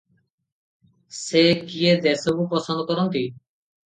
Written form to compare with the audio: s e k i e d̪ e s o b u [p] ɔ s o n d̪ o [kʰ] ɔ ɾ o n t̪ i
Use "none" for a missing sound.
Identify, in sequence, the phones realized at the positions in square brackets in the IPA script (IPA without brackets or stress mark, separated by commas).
p, k